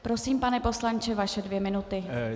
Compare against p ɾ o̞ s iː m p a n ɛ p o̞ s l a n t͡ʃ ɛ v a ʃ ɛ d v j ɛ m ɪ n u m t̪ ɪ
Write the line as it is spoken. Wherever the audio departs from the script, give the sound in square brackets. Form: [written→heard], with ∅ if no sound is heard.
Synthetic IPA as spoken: p ɾ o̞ s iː m p a n ɛ p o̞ s l a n t͡ʃ ɛ v a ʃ ɛ d v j ɛ m ɪ n u [m→∅] t̪ ɪ

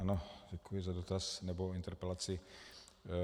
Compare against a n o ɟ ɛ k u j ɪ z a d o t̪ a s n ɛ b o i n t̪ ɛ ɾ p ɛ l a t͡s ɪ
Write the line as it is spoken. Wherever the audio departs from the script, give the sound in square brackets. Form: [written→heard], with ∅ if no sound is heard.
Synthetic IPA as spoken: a n o ɟ ɛ k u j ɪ z a d o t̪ a s n ɛ b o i n t̪ ɛ ɾ p ɛ l a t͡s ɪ

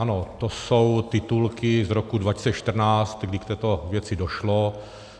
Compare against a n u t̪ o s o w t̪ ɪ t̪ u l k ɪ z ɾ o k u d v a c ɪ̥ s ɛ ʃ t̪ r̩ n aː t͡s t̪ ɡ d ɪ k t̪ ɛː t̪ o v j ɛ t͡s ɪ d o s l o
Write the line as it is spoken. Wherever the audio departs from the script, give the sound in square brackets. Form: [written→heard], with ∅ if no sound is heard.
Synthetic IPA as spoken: a n [u→o] t̪ o s o w t̪ ɪ t̪ u l k ɪ z ɾ o k u d v a c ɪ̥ s ɛ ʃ t̪ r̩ n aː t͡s t̪ ɡ d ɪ k t̪ ɛː t̪ o v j ɛ t͡s ɪ d o [s→ʃ] l o

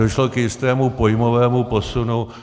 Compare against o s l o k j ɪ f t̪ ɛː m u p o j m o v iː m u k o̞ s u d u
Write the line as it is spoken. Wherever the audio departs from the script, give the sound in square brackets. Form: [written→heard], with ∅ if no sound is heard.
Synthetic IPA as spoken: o [s→ʃ] l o k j ɪ [f→s] t̪ ɛː m u p o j m o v [iː→ɛː] m u [k→p] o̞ s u [d→n] u

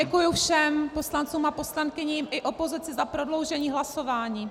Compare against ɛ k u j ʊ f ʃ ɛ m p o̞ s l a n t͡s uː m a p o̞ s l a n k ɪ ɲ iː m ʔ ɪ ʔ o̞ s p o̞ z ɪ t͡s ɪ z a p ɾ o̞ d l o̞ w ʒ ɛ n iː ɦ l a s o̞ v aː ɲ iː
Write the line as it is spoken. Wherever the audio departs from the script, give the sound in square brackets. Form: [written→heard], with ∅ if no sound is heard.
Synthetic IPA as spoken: ɛ k u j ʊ f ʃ ɛ m p o̞ s l a n t͡s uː m a p o̞ s l a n k ɪ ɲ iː m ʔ ɪ ʔ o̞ [s→∅] p o̞ z ɪ t͡s ɪ z a p ɾ o̞ d l o̞ w ʒ ɛ [n→ɲ] iː ɦ l a s o̞ v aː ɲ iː

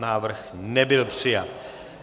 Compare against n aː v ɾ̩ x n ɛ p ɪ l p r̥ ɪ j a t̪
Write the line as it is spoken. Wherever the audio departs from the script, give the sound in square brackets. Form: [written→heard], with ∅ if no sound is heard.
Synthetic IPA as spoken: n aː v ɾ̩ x n ɛ [p→b] ɪ l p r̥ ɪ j a t̪

